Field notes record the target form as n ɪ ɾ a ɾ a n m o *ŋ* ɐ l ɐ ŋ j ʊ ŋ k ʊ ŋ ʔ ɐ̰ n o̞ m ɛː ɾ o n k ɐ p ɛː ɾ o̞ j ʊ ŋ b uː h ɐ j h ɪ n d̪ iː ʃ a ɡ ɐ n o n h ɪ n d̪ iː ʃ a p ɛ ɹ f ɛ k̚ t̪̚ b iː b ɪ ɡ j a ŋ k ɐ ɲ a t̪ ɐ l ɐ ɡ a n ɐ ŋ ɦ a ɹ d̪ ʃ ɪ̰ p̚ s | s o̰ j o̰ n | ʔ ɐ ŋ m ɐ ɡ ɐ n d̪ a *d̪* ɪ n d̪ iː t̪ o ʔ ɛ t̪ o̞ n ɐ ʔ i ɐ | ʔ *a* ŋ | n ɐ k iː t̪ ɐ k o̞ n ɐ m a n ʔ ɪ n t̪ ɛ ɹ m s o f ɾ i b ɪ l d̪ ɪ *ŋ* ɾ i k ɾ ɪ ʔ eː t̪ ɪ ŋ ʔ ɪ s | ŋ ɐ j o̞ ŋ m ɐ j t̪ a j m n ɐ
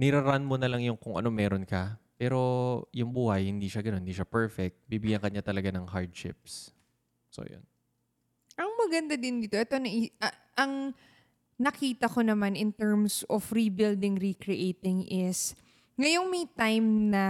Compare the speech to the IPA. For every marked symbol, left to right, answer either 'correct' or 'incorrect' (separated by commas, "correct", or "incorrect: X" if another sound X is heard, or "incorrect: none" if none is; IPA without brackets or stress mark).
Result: incorrect: n, correct, incorrect: ɐ, correct